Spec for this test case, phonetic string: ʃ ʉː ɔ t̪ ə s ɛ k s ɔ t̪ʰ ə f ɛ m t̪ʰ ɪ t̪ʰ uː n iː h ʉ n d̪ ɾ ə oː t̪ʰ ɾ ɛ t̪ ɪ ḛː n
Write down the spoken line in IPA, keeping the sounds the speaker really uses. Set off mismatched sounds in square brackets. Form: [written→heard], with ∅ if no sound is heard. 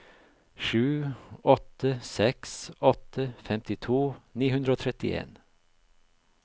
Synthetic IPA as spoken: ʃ ʉː ɔ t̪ ə s ɛ k s ɔ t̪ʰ ə f ɛ m [t̪ʰ→t̪] ɪ t̪ʰ uː n iː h ʉ n d̪ ɾ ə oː t̪ʰ ɾ ɛ t̪ ɪ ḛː n